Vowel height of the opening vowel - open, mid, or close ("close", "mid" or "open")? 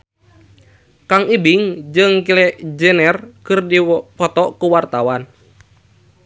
open